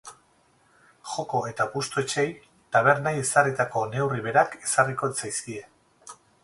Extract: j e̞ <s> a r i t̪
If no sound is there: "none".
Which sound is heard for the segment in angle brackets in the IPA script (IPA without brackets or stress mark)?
s